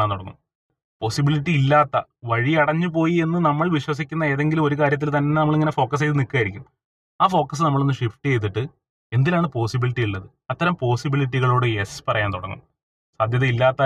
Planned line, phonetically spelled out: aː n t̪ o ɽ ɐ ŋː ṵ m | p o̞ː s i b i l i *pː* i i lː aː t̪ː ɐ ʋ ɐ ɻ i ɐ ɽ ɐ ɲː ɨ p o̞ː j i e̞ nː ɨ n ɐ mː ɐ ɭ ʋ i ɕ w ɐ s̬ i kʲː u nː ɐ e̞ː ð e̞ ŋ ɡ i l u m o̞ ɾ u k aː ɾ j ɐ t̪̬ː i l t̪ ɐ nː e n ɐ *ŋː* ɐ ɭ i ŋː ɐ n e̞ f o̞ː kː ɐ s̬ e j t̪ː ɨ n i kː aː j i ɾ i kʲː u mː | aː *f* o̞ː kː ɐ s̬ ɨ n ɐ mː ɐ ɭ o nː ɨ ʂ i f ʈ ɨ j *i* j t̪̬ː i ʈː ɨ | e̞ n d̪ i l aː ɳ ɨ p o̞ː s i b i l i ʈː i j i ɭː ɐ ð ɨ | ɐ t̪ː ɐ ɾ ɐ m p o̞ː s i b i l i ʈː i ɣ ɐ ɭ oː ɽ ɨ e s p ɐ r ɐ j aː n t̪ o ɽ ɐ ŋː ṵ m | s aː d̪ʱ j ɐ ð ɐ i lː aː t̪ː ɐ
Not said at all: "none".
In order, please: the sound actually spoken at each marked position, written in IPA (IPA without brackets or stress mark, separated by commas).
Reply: ʈː, mː, f, e